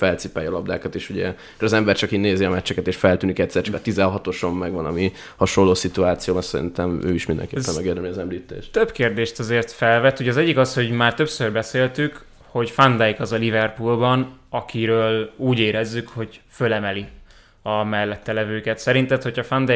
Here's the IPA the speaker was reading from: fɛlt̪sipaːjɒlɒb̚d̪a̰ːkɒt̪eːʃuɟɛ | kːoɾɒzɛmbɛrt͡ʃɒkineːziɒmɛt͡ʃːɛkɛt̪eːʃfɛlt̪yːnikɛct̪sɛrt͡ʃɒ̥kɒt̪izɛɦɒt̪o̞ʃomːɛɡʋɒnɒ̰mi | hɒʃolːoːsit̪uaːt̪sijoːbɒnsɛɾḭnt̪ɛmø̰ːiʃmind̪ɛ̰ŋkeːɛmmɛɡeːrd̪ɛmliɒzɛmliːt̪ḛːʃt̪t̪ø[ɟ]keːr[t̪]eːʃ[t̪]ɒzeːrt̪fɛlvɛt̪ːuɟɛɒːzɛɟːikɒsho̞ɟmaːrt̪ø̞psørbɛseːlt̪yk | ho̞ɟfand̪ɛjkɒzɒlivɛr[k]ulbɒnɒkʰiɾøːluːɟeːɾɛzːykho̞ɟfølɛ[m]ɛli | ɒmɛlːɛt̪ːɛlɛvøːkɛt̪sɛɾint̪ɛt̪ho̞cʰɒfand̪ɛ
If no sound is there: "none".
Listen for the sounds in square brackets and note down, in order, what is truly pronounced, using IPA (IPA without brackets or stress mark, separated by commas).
b, d̪, t̪, p, m